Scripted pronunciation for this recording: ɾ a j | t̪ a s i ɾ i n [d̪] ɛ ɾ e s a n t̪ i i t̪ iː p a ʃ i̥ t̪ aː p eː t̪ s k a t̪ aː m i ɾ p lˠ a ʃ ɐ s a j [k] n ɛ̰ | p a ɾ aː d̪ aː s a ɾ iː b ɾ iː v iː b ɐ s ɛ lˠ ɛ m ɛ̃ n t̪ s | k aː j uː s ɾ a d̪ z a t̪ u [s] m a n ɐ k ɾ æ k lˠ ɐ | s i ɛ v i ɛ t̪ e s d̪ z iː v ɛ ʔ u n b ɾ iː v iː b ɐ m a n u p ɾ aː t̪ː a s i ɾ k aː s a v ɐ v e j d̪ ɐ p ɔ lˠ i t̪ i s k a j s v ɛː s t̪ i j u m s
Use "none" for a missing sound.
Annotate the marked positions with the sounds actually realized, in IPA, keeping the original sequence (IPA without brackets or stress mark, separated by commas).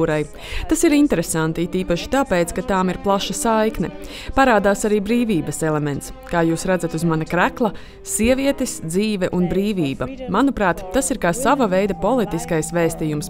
t̪, k, z